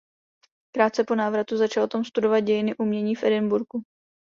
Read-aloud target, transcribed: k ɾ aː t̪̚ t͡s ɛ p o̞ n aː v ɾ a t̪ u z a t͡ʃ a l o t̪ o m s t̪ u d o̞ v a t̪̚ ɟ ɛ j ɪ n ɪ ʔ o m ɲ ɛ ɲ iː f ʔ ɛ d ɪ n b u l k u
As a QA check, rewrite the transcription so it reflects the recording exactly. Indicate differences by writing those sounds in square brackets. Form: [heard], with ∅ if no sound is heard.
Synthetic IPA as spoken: k ɾ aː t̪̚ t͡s ɛ p o̞ n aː v ɾ a t̪ u z a t͡ʃ a l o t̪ o m s t̪ u d o̞ v a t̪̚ ɟ ɛ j ɪ n ɪ ʔ [u] m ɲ ɛ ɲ iː f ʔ ɛ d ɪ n b u [ɾ] k u